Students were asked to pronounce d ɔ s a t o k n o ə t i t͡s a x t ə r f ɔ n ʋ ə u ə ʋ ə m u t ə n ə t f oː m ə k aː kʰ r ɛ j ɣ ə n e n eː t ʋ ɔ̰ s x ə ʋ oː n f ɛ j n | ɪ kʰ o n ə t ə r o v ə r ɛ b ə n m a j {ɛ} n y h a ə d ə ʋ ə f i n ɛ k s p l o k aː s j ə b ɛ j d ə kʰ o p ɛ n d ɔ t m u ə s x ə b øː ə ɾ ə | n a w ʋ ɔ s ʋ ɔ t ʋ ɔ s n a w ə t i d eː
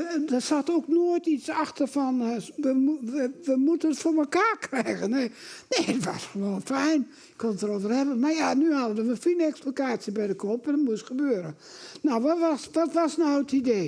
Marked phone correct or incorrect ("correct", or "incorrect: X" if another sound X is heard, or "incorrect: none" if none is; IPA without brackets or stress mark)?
incorrect: a